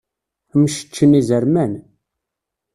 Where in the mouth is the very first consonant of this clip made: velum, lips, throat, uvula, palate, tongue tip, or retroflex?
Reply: lips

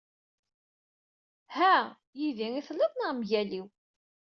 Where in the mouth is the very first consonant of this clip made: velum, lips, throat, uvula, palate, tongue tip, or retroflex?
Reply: throat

